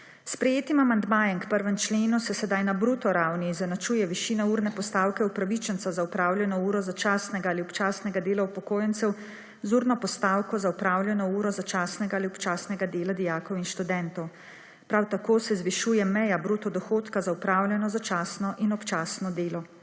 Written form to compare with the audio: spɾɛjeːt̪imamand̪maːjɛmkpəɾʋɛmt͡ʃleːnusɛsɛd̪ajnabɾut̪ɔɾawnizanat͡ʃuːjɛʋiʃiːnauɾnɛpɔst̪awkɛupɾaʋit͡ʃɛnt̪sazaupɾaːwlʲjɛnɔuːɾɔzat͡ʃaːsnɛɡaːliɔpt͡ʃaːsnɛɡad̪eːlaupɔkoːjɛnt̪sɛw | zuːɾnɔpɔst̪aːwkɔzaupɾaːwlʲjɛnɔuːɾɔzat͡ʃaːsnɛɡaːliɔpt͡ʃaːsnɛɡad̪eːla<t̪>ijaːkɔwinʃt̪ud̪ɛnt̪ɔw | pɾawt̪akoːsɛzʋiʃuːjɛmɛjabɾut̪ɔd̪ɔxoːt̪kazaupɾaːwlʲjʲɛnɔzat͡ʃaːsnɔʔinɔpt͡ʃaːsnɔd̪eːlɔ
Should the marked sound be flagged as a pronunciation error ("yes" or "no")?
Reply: yes